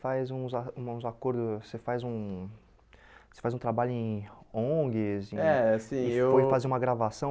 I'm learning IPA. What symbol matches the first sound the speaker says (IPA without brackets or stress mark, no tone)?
f